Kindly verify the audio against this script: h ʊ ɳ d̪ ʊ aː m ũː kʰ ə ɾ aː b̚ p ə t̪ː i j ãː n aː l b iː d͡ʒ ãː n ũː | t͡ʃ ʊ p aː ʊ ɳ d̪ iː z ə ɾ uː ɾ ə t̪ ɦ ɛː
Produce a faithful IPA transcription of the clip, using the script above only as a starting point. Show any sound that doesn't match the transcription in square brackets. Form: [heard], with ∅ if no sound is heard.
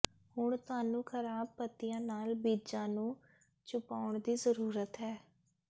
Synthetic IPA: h ʊ ɳ [t̪] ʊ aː [n] ũː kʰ ə ɾ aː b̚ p ə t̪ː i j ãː n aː l b iː d͡ʒ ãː n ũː | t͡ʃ ʊ p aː ʊ ɳ d̪ iː z ə ɾ uː ɾ ə t̪ ɦ ɛː